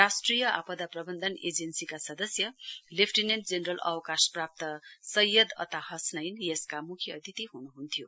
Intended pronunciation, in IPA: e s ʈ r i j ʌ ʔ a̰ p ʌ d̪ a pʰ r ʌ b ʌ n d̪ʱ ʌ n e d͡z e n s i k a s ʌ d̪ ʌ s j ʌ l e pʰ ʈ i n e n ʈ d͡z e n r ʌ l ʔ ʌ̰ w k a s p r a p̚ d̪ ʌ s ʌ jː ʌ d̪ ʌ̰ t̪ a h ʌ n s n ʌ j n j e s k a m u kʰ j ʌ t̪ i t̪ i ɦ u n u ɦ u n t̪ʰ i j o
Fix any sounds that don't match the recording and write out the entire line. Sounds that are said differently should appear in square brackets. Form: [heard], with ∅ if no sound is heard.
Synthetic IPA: [a] s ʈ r i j ʌ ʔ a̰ p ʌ d̪ a [p] r ʌ b ʌ n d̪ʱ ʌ n e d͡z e n s i k a s ʌ d̪ ʌ s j ʌ l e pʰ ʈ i n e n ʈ d͡z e n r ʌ l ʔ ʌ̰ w k a s p r a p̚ [t̪] ʌ s ʌ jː ʌ d̪ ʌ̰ t̪ a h ʌ [∅] s n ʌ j n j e s k a m u kʰ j ʌ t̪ i t̪ i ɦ u n u ɦ u n t̪ʰ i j o